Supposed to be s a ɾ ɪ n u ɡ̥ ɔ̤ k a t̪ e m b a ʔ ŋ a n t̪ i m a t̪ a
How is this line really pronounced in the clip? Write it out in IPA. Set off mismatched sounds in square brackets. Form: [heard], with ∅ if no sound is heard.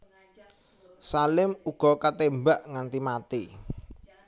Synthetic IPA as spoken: s a [l] ɪ [m] u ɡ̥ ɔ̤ k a t̪ e m b a ʔ ŋ a n t̪ i m a t̪ [i]